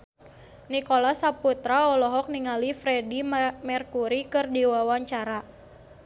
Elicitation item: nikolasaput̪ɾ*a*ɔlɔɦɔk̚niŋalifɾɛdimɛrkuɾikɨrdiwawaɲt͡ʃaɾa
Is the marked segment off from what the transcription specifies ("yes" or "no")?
no